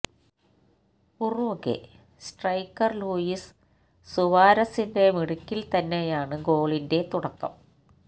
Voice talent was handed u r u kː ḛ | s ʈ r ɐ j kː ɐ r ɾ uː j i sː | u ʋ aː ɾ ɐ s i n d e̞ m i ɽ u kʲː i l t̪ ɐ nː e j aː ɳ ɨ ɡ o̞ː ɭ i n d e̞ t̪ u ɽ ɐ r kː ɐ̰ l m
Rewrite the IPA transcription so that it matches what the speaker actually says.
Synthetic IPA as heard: u r u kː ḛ | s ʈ r ɐ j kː ɐ r l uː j i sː | u ʋ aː ɾ ɐ s i n d e̞ m i ɽ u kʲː i l t̪ ɐ nː e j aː ɳ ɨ ɡ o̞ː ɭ i n d e̞ t̪ u ɽ ɐ kː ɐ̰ m